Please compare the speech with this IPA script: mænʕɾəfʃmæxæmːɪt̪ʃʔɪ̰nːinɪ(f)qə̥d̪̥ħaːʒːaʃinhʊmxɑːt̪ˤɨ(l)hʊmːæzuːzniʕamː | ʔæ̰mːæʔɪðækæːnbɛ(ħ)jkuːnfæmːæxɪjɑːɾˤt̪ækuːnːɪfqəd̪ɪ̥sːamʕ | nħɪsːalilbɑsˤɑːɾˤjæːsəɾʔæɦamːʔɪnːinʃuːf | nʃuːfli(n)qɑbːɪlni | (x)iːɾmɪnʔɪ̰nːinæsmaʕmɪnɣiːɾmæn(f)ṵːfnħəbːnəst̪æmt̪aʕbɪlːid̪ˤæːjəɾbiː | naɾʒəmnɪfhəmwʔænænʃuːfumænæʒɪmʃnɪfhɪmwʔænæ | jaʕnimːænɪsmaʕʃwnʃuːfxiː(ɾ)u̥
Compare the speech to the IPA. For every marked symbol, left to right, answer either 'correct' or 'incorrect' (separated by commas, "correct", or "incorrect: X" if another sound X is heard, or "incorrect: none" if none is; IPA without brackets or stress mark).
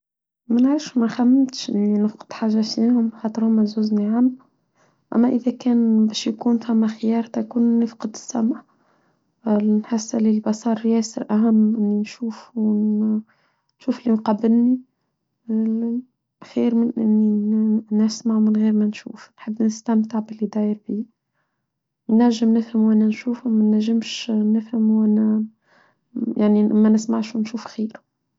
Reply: correct, incorrect: ɾ, incorrect: ʃ, correct, correct, incorrect: ʃ, correct